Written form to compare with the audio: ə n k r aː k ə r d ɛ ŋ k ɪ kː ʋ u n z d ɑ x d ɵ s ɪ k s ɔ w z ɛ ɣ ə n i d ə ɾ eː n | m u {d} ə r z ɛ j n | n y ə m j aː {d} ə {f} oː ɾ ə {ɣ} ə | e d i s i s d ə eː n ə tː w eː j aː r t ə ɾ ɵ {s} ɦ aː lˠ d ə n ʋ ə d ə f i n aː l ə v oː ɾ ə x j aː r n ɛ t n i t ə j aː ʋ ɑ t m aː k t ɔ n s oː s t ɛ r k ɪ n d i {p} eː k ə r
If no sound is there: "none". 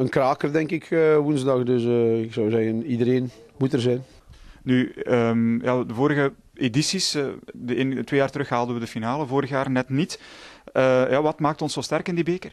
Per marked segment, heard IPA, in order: t, d, v, ɣ, x, b

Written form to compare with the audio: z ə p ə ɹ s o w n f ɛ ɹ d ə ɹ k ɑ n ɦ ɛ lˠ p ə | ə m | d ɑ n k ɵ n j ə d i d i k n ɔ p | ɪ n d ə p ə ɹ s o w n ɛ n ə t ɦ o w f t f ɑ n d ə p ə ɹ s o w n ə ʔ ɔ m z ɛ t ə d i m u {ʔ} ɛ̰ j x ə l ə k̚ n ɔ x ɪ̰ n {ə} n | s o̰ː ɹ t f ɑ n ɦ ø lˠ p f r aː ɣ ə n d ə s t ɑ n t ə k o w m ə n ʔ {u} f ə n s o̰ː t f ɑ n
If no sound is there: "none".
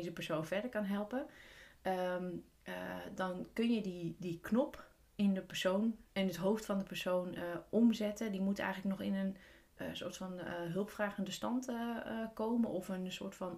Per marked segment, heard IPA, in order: t, ə, ɔ

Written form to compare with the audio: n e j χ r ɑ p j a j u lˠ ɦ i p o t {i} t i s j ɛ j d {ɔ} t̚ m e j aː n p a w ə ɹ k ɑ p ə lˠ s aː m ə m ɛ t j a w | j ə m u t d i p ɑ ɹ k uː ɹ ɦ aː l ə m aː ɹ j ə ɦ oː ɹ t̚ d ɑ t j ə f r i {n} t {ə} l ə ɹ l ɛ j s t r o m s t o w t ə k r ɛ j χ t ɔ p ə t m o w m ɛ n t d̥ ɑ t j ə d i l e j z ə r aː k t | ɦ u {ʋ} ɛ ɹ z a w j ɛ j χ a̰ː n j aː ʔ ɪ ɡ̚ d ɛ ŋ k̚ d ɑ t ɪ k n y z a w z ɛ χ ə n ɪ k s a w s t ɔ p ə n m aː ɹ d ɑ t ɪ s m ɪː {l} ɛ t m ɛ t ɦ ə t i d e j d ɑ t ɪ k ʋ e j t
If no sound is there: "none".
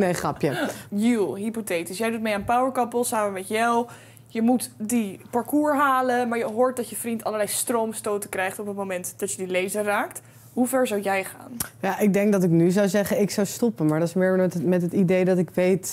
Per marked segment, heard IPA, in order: e, u, n, ɑ, v, ɹ

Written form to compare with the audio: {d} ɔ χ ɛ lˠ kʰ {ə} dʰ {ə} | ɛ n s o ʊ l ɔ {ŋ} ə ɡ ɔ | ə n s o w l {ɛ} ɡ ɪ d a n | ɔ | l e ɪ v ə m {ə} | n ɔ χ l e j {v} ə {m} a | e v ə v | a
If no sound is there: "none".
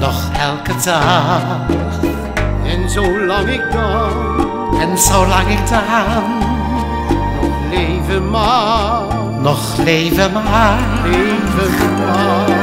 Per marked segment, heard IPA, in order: n, ə, a, ŋ, a, a, v, m

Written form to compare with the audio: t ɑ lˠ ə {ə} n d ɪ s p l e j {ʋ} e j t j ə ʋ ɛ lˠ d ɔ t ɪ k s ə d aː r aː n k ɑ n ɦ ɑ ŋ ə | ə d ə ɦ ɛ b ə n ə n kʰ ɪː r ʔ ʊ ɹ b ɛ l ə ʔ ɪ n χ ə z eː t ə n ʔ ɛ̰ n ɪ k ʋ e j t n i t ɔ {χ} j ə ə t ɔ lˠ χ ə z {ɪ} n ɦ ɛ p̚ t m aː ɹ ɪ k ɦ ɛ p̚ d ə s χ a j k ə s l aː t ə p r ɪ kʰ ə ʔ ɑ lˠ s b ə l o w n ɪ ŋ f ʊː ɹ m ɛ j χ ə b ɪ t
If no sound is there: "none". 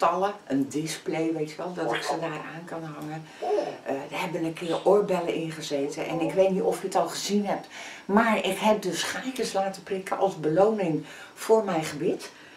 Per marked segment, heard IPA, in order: ə, ʋ, f, i

